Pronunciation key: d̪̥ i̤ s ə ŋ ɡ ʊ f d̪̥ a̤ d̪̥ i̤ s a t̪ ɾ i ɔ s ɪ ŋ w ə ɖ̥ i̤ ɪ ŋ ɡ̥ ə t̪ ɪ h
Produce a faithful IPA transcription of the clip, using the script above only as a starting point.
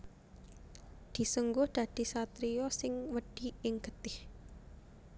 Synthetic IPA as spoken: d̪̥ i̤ s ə ŋ ɡ ʊ h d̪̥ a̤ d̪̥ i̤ s a t̪ ɾ i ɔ s ɪ ŋ w ə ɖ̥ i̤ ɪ ŋ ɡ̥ ə t̪ ɪ h